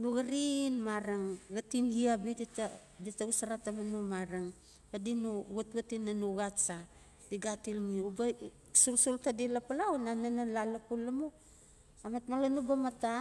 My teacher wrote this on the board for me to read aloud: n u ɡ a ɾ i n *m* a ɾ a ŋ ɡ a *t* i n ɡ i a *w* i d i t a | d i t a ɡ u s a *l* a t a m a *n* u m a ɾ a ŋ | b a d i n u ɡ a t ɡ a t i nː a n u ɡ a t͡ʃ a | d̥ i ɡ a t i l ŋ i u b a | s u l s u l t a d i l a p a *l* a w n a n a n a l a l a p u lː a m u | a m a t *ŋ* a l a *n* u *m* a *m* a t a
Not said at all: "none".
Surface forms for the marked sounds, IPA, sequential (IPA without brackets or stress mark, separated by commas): m, t, b, ɾ, n, l, m, n, b, m